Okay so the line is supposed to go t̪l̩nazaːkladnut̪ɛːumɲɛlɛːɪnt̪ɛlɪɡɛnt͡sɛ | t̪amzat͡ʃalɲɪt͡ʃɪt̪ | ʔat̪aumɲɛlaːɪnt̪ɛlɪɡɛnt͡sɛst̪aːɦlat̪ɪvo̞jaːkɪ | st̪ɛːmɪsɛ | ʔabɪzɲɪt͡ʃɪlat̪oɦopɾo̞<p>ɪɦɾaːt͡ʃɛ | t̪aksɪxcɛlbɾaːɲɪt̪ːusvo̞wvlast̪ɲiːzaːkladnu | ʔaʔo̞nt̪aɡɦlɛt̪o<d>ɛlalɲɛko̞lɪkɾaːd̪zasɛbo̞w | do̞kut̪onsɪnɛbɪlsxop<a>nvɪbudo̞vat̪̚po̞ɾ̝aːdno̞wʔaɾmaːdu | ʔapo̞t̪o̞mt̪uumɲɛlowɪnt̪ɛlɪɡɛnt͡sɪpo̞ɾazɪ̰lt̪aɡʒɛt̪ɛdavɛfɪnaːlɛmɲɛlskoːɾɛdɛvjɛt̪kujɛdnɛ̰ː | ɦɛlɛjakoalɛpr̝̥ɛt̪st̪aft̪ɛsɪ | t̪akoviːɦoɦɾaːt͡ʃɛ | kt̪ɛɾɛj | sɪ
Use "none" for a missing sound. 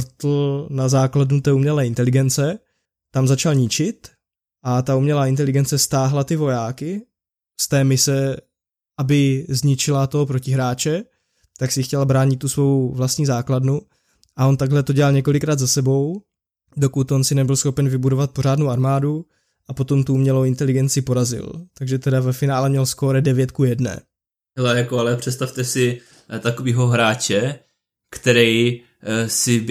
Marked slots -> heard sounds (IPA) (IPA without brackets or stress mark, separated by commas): c, ɟ, ɛ